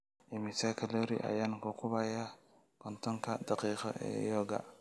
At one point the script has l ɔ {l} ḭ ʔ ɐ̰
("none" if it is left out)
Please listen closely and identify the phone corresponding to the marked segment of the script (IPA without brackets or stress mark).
ɾ